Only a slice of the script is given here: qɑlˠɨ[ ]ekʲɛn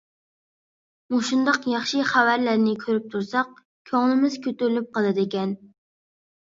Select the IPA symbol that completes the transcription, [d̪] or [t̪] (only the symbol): d̪